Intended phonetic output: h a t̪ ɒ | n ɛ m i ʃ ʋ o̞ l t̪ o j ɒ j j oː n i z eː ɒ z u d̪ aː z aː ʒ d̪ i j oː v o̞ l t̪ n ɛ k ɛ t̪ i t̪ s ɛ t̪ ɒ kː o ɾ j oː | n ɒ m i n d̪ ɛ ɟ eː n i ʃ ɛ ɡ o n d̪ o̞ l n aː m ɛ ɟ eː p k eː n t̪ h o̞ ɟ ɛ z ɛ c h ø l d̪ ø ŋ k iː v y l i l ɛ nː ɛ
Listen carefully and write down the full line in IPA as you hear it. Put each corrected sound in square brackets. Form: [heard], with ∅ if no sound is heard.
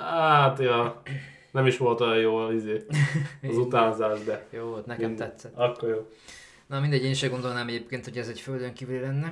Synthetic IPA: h a t̪ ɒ | n ɛ m i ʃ ʋ o̞ l t̪ o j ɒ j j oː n i z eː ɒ z u [t̪] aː z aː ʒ d̪ [ɛ] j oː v o̞ l t̪ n ɛ k ɛ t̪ [ɛ] t̪ s ɛ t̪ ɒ kː o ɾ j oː | n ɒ m i n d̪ ɛ ɟ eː n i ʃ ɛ ɡ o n d̪ o̞ l n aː m ɛ ɟ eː p k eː n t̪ h o̞ ɟ ɛ z ɛ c [f] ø l d̪ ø ŋ k iː v y l i l ɛ nː ɛ